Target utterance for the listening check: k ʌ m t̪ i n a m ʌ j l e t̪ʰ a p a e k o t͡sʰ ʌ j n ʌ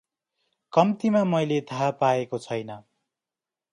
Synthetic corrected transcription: k ʌ m t̪ i m a m ʌ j l e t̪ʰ a p a e k o t͡sʰ ʌ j n ʌ